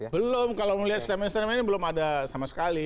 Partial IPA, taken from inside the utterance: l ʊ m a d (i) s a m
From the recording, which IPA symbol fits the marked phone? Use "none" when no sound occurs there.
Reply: a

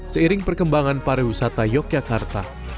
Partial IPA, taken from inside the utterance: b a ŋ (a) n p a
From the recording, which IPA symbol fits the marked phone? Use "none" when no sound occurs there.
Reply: a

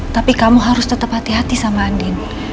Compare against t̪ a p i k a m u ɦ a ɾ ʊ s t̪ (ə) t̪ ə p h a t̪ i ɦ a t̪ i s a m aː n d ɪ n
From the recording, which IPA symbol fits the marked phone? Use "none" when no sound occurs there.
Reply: ə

